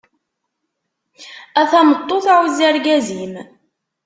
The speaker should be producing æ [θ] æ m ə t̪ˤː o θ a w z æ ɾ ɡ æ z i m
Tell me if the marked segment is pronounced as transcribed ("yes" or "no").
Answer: yes